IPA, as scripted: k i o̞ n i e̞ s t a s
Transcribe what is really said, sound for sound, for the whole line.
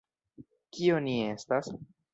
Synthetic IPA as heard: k i o̞ n i e̞ s t a s